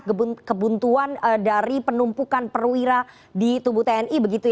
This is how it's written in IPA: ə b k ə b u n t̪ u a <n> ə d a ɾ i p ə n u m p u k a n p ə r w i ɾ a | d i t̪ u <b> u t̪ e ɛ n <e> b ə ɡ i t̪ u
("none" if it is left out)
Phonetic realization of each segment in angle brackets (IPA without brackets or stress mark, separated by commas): n, b, i